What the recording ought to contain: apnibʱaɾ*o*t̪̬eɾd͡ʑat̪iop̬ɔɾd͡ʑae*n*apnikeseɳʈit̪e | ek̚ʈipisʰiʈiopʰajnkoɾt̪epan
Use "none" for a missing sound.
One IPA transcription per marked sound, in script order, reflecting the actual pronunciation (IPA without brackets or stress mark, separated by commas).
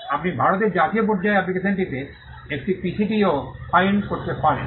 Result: o, none